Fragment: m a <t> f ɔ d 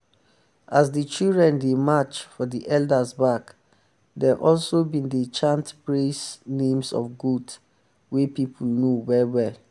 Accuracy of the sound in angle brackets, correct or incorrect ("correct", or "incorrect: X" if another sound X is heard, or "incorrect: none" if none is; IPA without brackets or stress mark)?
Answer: incorrect: t͡ʃ